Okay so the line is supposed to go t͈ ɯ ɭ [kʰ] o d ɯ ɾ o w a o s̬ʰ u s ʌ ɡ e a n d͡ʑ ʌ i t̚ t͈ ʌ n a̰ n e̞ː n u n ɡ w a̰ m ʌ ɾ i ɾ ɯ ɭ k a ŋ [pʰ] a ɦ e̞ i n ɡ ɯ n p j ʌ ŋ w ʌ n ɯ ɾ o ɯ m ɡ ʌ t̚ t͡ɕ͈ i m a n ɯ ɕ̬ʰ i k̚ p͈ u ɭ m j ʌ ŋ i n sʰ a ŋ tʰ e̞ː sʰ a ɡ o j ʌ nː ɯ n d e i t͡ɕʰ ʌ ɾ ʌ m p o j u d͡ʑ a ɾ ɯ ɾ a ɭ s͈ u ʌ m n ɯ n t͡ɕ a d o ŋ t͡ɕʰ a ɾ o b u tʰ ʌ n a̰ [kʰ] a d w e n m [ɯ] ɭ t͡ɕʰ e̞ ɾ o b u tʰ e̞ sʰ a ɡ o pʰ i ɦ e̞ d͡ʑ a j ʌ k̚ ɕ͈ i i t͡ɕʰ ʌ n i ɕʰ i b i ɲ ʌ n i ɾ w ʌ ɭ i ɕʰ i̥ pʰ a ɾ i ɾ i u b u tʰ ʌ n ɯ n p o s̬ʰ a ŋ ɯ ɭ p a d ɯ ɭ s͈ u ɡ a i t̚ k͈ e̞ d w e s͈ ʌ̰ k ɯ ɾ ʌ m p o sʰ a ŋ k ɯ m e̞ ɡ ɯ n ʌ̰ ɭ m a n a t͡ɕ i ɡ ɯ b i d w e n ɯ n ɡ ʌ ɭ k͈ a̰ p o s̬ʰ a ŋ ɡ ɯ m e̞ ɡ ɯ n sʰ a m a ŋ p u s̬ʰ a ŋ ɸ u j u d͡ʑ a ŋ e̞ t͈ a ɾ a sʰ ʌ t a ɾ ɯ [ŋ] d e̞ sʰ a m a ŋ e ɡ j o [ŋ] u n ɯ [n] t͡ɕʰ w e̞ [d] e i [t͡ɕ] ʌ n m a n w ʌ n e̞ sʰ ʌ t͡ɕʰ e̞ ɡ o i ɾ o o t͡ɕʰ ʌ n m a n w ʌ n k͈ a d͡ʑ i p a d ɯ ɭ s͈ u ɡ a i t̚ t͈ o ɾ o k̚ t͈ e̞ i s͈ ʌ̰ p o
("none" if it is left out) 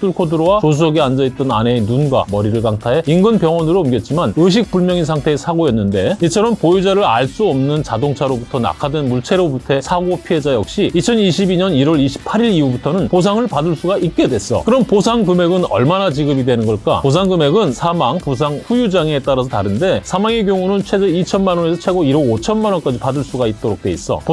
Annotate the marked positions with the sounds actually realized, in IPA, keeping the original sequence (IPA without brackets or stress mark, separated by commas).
kʰ, tʰ, kʰ, u, n, ŋ, n, d͡ʑ, t͡ɕʰ